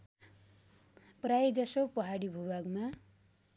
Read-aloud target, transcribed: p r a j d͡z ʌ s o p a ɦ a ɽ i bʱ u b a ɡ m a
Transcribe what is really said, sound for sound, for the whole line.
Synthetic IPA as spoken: p r a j d͡z ʌ s o p ʌ ɦ a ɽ i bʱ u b a ɡ m a